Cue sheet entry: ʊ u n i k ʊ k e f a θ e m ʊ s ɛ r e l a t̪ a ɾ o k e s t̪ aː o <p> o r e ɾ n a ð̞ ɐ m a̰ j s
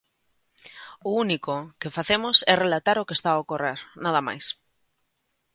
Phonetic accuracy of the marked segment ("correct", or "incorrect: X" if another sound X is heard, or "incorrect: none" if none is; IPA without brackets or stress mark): incorrect: k